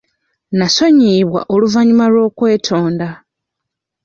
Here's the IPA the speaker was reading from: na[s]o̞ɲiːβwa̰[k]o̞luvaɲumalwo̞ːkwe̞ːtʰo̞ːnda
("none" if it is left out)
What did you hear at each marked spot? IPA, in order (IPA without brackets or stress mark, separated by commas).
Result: s, ʔ